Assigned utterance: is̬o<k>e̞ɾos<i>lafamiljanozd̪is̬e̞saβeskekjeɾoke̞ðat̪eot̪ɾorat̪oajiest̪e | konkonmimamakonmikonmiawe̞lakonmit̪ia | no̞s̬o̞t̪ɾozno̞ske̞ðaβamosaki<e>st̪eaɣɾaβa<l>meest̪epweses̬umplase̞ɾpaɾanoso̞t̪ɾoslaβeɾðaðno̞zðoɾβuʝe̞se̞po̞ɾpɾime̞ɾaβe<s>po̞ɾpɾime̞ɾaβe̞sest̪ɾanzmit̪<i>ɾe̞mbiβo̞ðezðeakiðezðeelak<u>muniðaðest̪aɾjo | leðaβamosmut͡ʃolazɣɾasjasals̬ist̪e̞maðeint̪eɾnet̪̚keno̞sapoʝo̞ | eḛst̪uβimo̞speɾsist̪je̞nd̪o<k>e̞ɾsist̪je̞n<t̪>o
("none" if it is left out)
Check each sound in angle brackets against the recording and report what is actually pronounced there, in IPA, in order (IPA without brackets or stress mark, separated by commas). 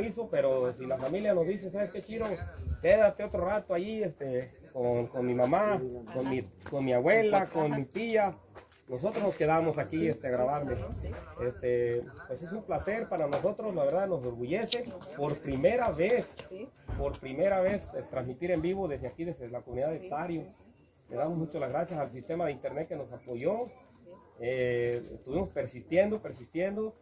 p, i, e, ɾ, s, i, o, p, d̪